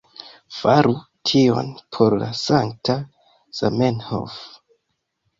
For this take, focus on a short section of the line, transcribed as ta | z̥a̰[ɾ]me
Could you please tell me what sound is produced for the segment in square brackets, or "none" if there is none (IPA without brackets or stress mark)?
none